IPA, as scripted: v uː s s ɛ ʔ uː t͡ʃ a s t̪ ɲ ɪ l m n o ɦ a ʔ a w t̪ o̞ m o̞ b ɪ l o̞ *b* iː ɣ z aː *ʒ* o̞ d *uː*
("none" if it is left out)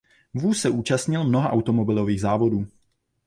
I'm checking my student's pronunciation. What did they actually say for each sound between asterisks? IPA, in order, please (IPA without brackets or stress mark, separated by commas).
v, v, uː